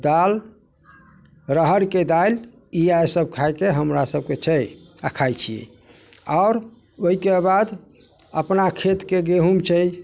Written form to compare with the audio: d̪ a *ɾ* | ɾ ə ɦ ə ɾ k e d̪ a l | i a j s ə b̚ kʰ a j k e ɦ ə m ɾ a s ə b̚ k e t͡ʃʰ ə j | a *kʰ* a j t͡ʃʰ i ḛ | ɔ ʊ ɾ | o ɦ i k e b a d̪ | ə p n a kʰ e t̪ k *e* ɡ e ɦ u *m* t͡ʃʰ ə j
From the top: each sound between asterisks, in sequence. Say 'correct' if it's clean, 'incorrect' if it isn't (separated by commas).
incorrect, correct, correct, correct